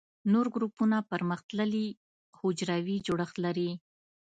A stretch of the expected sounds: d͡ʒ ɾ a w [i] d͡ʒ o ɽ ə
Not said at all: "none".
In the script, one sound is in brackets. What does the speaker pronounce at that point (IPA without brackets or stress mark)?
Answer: i